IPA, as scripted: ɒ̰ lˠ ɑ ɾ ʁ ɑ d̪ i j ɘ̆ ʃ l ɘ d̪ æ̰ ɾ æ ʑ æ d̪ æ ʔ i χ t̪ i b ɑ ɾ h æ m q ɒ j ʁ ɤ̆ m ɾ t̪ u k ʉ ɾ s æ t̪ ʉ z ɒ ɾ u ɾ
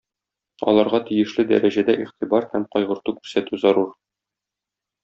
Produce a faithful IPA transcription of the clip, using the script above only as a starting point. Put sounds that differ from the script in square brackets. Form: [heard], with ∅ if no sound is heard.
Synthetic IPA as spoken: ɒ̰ lˠ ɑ ɾ ʁ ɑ [t̪] i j ɘ̆ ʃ l ɘ d̪ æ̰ ɾ æ ʑ æ d̪ æ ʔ i χ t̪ i b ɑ ɾ h æ m q ɒ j ʁ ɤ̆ [∅] ɾ t̪ u k ʉ ɾ s æ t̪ ʉ z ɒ ɾ u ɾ